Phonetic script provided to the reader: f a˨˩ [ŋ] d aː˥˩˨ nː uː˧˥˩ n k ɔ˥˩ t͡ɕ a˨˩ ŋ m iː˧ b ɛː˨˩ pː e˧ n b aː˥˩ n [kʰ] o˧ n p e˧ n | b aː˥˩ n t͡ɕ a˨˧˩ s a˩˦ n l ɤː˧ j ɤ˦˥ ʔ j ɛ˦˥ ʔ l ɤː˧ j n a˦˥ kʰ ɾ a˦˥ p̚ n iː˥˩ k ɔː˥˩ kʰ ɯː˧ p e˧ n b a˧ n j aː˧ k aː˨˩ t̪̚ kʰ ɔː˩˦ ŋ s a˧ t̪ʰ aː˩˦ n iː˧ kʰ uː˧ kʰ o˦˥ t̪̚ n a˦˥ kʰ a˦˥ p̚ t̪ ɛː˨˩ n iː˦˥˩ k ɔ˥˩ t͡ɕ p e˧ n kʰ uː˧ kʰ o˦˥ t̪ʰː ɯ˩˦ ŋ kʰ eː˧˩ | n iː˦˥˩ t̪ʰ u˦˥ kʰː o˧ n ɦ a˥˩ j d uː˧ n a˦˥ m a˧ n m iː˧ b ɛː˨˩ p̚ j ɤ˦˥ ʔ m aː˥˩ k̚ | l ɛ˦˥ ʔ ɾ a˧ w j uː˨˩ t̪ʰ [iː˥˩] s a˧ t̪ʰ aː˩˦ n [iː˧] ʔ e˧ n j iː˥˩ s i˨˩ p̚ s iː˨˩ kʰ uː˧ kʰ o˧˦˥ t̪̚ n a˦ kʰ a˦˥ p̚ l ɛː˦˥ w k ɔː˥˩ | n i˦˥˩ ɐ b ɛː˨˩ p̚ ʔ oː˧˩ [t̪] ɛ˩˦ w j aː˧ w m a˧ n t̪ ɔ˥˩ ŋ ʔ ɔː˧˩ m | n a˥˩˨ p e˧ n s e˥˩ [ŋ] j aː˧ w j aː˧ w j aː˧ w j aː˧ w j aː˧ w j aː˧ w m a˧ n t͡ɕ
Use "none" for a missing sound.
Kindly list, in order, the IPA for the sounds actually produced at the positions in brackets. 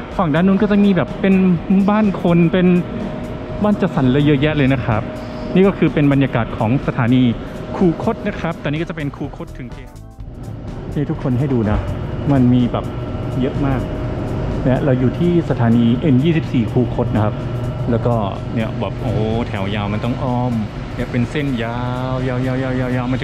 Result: ŋ, kʰ, iː˥˩, iː˧, t̪ʰ, n

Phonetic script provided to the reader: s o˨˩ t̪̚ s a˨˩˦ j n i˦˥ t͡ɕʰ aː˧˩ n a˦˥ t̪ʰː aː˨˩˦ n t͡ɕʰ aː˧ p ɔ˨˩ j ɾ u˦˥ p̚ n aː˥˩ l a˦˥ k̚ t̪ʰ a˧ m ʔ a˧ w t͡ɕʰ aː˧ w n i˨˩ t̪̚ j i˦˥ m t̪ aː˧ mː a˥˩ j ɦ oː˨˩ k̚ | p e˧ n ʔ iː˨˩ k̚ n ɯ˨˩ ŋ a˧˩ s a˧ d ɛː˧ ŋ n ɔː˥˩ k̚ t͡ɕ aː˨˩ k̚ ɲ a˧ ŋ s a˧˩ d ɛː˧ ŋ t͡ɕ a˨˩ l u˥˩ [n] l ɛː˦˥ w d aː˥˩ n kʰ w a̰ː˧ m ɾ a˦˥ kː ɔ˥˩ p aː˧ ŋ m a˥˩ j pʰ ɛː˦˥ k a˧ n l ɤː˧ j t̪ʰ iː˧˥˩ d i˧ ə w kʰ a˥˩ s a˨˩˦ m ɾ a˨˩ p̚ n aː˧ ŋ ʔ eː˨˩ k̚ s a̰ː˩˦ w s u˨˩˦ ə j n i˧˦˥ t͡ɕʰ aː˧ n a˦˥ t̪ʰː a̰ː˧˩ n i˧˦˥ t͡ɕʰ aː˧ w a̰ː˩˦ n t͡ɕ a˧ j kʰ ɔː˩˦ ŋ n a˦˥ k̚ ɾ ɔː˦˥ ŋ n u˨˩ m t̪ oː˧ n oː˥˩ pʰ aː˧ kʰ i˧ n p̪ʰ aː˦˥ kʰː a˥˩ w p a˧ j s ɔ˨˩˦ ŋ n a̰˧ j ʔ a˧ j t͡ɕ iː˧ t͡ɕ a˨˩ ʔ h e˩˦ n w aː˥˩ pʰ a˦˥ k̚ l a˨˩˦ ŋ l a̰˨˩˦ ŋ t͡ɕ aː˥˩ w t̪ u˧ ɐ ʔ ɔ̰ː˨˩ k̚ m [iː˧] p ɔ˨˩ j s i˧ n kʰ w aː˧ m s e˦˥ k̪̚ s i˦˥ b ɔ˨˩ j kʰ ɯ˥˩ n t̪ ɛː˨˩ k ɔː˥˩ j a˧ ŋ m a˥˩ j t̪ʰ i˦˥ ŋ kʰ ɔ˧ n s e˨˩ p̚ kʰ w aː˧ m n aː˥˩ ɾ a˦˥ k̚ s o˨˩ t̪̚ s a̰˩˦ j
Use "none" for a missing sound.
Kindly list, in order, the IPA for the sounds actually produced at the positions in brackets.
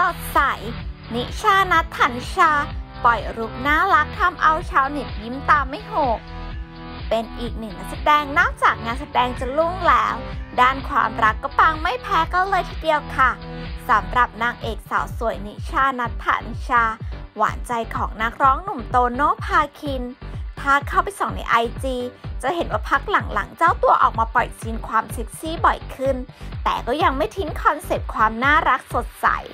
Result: ŋ, aː˧

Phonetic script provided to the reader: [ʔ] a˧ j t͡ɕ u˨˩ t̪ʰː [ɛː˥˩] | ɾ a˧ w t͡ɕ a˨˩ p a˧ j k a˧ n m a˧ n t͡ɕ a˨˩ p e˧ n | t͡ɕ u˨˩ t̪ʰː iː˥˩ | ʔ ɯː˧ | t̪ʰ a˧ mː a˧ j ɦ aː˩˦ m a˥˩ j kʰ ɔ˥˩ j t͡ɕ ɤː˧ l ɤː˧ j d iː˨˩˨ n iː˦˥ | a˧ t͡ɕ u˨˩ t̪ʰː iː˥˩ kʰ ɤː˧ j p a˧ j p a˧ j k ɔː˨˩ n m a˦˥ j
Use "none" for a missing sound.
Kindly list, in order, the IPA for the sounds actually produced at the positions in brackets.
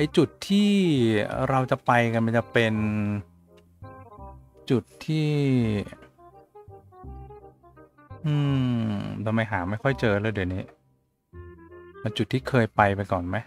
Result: ʔ, iː˥˩

